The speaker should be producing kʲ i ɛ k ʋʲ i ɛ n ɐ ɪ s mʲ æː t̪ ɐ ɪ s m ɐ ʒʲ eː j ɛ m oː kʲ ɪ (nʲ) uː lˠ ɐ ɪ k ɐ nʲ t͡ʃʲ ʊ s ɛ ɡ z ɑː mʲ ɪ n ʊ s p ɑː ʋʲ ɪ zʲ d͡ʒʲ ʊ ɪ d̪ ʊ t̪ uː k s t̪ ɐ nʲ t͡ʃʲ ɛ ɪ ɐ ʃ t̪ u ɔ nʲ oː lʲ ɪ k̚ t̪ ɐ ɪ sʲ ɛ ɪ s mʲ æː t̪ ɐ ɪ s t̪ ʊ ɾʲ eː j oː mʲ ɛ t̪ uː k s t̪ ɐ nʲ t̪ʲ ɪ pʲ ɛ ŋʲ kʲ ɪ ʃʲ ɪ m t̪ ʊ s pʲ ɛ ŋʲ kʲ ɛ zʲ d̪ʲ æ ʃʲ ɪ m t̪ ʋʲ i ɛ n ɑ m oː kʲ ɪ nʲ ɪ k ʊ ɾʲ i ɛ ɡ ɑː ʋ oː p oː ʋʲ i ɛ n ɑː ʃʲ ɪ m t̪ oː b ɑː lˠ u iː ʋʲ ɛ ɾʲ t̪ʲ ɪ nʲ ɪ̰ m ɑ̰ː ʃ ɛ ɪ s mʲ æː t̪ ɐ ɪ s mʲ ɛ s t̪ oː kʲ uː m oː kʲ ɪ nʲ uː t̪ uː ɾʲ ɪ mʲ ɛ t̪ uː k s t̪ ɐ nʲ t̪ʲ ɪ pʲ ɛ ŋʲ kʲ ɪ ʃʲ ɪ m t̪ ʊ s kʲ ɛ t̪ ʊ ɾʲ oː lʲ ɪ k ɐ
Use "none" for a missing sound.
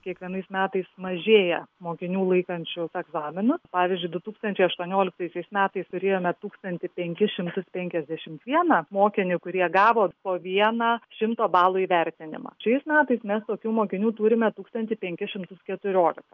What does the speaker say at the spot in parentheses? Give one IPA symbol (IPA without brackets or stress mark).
nʲ